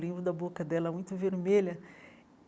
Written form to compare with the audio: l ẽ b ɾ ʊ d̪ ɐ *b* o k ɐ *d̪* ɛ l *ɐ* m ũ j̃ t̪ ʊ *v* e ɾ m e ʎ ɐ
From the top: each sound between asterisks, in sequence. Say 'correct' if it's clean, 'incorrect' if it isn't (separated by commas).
correct, correct, correct, correct